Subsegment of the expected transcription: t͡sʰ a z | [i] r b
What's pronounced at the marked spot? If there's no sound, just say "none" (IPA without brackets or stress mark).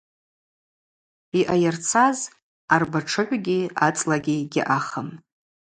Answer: a